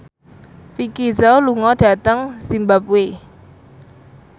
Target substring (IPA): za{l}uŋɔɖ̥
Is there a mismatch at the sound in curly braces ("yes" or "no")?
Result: no